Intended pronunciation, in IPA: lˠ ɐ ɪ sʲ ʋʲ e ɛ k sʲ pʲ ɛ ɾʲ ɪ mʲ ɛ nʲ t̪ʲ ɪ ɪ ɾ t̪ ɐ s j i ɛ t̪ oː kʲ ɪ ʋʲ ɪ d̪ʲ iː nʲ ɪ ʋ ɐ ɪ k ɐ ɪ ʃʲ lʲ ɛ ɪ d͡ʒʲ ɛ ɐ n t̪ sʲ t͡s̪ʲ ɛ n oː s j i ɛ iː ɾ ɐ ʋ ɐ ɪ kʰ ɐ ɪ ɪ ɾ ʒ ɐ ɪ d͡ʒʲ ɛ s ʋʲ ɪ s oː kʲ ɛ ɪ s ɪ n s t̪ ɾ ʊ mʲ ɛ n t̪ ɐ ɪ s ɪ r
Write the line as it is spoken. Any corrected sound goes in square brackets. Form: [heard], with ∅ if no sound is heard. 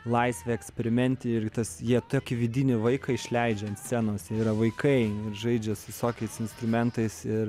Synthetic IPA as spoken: lˠ ɐ ɪ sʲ ʋʲ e ɛ k sʲ pʲ ɛ ɾʲ ɪ mʲ ɛ nʲ t̪ʲ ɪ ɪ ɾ t̪ ɐ s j i ɛ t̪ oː kʲ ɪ ʋʲ ɪ d̪ʲ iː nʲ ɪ ʋ ɐ ɪ k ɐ ɪ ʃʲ lʲ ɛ ɪ d͡ʒʲ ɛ ɐ n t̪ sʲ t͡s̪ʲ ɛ n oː s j i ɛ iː ɾ ɐ ʋ ɐ ɪ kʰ ɐ ɪ ɪ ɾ ʒ ɐ ɪ d͡ʒʲ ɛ s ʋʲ ɪ s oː kʲ ɛ ɪ s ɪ n s t̪ ɾ ʊ mʲ ɛ n t̪ ɐ ɪ s ɪ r